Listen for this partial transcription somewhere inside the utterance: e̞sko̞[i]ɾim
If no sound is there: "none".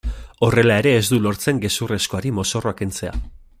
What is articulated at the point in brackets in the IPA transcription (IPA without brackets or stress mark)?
a